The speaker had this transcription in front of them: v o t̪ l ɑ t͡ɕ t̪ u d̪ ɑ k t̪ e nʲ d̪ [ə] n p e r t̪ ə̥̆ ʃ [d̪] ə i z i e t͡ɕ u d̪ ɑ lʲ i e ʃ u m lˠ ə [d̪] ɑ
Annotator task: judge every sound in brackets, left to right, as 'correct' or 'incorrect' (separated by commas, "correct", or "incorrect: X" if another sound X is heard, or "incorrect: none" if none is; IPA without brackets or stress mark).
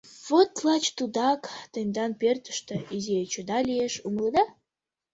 incorrect: ɑ, incorrect: t̪, correct